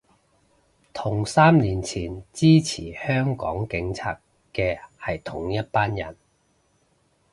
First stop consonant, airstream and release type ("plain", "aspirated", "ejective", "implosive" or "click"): aspirated